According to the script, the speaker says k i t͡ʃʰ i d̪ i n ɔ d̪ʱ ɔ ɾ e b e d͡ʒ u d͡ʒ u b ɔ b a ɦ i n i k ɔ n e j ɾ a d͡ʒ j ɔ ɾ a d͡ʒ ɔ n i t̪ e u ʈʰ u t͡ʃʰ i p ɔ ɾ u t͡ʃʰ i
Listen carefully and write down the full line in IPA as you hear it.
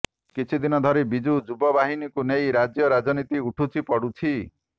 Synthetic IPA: k i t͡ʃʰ i d̪ i n ɔ d̪ʱ ɔ ɾ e b i d͡ʒ u d͡ʒ u b ɔ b a ɦ i n i k u n e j ɾ a d͡ʒ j ɔ ɾ a d͡ʒ ɔ n i t̪ i u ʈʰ u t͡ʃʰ i p ɔ ɽ u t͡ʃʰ i